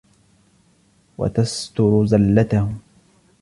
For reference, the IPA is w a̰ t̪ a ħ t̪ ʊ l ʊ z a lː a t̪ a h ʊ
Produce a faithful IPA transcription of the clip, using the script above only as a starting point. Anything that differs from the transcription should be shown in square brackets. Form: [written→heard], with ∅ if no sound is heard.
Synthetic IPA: w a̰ t̪ a [ħ→s] t̪ ʊ [l→ɾ] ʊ z a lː a t̪ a h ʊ